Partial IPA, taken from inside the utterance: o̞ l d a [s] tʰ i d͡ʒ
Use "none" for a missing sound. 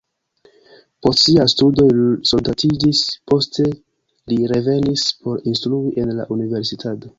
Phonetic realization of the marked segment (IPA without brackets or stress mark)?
none